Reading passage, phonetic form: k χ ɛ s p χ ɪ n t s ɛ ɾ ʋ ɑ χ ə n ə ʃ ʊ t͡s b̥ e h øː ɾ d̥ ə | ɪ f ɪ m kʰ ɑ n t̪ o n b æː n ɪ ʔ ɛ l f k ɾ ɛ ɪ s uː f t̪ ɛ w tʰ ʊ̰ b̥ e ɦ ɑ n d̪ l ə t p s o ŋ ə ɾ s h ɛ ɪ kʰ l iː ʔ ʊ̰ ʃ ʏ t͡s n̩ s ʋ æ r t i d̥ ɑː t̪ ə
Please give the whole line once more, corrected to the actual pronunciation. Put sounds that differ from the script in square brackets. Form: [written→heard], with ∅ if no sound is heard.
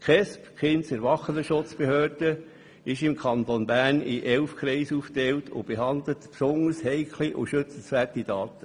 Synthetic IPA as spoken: k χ ɛ s p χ ɪ n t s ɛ ɾ ʋ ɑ χ ə n ə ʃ ʊ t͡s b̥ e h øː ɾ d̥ ə | ɪ [f→ʃ] ɪ m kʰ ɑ n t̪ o n b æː n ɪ ʔ ɛ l f k ɾ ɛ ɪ s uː f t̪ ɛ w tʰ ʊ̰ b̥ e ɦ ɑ n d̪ l ə t p s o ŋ ə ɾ s h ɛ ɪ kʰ l [iː→i] ʔ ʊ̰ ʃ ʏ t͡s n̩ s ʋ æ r t i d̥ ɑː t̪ ə